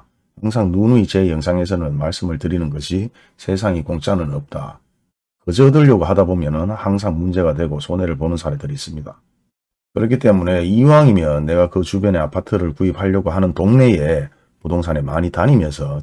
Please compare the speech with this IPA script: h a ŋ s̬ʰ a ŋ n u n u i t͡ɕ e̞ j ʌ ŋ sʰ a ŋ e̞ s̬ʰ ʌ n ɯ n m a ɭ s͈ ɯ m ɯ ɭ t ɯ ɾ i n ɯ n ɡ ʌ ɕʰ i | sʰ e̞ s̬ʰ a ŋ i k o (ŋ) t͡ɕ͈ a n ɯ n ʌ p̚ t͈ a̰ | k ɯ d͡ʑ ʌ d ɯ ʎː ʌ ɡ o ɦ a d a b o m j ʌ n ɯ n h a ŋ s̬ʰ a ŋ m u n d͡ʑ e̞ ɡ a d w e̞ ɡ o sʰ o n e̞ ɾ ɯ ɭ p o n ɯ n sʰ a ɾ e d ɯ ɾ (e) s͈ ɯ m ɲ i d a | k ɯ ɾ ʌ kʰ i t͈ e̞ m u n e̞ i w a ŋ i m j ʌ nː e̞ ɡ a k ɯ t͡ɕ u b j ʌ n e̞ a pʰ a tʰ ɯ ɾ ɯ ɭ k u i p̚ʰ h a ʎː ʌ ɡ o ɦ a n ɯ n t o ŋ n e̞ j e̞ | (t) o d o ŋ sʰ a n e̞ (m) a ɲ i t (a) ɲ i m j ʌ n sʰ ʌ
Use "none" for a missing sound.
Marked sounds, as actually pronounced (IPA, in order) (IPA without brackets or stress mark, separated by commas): ŋ, i, p, m, a